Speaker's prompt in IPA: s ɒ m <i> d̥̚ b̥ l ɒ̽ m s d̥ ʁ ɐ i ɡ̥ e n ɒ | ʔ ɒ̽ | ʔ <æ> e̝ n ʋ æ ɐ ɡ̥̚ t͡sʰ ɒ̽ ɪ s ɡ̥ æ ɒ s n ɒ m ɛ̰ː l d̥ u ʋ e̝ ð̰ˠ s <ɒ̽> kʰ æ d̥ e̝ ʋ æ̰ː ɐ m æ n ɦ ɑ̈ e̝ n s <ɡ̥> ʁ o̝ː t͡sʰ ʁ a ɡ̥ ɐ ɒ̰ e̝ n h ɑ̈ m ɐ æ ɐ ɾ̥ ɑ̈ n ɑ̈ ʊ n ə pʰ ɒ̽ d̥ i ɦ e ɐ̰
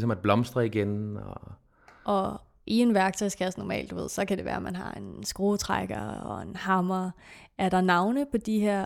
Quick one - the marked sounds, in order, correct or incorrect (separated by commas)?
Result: incorrect, incorrect, correct, correct